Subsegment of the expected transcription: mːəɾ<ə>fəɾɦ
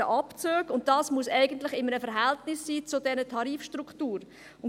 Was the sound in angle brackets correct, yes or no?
yes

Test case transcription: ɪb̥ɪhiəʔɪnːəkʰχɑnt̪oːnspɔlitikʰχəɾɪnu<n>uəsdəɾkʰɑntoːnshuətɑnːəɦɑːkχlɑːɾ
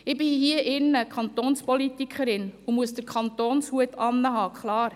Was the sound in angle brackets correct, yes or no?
no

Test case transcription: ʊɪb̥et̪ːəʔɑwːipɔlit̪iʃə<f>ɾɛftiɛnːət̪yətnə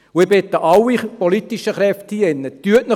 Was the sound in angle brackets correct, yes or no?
no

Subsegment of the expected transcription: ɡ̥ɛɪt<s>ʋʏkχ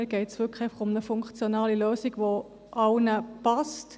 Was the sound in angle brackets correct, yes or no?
yes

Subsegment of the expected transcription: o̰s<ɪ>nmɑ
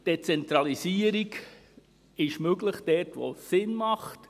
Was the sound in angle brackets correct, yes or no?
yes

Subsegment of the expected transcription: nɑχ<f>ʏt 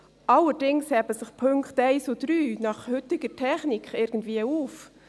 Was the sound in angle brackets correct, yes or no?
no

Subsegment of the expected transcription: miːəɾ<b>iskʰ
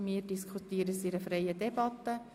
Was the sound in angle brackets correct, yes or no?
no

